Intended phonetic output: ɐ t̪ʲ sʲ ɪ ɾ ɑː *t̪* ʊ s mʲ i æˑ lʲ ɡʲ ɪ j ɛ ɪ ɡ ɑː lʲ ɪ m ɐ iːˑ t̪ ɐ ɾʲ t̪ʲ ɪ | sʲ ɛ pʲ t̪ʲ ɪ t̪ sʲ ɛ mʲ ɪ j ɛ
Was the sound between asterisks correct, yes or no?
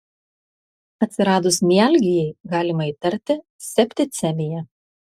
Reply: no